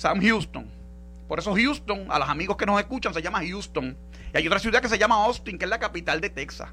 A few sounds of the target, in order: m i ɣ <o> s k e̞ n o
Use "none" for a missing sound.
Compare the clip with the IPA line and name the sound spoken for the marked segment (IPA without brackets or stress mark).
o